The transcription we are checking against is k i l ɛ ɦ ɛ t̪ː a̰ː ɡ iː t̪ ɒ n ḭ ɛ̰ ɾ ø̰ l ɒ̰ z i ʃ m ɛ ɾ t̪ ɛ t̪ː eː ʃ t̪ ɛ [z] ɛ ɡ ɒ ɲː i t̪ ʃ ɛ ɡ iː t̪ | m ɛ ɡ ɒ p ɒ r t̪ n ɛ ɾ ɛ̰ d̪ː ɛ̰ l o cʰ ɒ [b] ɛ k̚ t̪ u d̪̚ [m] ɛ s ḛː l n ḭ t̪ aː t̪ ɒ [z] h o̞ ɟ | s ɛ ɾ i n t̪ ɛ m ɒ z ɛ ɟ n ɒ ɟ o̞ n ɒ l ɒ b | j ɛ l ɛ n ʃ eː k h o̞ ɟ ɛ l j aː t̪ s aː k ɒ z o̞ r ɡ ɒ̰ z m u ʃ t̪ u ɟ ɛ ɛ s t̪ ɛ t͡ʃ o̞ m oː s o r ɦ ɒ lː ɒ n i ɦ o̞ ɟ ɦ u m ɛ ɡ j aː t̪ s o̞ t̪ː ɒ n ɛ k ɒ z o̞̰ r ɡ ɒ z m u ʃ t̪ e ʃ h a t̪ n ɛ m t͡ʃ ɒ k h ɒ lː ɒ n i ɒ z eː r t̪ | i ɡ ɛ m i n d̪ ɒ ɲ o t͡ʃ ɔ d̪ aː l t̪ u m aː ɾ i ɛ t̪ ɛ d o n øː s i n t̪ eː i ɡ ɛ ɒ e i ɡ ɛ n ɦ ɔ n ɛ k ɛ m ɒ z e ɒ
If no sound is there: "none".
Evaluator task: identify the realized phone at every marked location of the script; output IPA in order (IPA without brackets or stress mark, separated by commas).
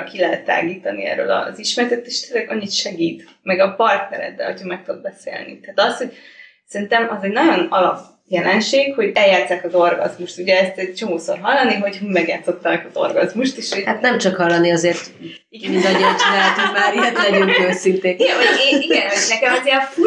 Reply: z, m, b, s